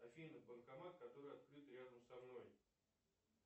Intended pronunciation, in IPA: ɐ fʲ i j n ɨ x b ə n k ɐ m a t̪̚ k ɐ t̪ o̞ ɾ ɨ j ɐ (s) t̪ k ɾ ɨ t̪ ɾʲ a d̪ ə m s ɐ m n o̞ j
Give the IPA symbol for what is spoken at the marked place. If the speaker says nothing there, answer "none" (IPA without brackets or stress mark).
none